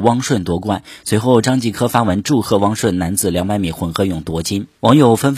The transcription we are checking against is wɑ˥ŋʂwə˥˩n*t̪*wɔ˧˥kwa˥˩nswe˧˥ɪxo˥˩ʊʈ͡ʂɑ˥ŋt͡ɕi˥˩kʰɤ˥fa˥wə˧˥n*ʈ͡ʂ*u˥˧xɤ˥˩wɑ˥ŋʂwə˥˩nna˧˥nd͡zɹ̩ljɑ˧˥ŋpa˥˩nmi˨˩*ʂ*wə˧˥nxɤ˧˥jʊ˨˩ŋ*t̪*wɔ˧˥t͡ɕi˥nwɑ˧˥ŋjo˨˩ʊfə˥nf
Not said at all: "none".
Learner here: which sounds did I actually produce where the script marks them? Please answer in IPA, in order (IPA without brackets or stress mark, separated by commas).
t̪, ʈ͡ʂ, x, t̪